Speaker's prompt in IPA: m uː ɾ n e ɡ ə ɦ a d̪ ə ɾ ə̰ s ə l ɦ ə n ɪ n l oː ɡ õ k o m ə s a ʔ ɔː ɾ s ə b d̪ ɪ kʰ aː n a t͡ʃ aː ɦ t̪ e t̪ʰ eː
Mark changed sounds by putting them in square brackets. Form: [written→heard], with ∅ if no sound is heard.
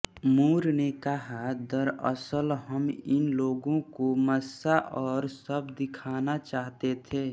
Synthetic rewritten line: m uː ɾ n e [ɡ→k] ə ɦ a d̪ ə ɾ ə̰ s ə l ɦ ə [n→m] ɪ n l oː ɡ õ k o m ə s a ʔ ɔː ɾ s ə b d̪ ɪ kʰ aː n a t͡ʃ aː ɦ t̪ e t̪ʰ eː